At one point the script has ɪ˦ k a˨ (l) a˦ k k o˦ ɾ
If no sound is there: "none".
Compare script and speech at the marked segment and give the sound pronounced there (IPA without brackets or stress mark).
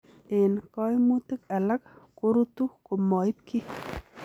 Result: l